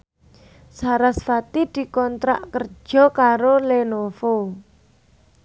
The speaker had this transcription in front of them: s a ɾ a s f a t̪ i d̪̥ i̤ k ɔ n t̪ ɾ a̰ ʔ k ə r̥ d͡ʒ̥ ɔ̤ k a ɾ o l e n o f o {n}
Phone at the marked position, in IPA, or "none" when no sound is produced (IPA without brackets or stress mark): none